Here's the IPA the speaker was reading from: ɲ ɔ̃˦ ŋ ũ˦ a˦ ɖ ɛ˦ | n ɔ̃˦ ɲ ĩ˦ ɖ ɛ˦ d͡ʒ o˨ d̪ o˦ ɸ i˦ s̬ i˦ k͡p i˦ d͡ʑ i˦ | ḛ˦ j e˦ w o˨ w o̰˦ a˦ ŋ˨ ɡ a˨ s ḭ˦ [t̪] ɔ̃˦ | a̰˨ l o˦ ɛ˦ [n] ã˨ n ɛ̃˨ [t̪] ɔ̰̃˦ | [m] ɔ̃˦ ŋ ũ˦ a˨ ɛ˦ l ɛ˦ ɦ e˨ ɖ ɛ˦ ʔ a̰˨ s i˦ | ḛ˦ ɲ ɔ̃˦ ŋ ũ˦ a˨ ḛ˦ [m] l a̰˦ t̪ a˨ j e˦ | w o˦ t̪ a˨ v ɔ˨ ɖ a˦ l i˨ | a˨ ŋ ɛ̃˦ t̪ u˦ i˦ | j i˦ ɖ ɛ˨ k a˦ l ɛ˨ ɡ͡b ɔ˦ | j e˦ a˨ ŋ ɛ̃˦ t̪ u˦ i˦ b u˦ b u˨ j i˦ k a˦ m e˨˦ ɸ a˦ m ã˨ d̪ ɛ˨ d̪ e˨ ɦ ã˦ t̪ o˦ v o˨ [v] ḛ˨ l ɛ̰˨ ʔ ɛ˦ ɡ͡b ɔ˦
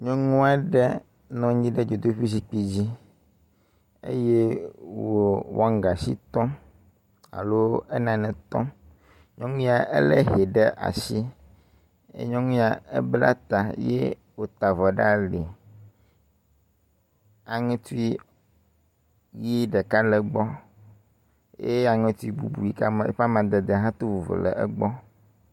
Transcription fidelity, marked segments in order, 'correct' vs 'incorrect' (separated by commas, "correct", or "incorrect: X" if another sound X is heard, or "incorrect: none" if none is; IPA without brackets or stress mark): correct, correct, correct, incorrect: ɲ, incorrect: b, correct